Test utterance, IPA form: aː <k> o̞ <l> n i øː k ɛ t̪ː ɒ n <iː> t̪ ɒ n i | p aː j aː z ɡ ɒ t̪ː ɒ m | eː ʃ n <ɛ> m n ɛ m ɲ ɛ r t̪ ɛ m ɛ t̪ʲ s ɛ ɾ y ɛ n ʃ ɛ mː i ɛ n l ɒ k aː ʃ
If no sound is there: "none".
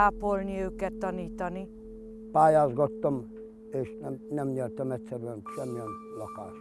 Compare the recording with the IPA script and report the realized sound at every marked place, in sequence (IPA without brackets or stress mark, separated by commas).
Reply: p, l, iː, ɛ